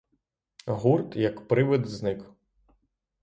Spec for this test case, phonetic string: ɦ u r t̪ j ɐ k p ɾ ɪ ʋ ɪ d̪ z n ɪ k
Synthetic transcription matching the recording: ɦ u r t̪ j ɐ k p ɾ ɪ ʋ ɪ d̪ z n ɪ k